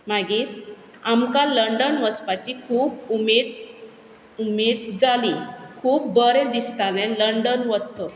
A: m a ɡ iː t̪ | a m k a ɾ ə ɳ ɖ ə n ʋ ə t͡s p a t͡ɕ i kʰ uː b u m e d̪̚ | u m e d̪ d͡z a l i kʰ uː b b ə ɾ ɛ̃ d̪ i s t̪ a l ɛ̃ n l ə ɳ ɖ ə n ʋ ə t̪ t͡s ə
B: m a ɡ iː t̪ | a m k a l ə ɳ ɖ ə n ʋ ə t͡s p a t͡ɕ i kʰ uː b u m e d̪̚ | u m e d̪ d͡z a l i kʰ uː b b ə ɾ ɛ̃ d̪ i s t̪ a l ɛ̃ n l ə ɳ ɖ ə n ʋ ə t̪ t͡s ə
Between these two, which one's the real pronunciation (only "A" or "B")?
B